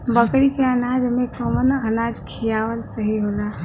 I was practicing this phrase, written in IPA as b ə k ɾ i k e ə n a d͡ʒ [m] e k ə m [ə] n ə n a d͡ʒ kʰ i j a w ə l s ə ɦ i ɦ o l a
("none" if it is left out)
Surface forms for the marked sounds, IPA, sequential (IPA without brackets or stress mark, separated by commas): m, ə